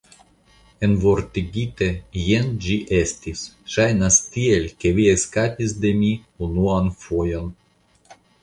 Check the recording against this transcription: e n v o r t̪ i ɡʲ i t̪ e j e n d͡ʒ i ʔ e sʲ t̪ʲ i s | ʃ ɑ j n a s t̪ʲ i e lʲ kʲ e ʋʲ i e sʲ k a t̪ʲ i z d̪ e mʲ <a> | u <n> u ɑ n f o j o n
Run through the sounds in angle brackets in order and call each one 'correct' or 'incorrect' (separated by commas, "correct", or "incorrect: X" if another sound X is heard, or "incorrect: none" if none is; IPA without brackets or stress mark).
incorrect: i, correct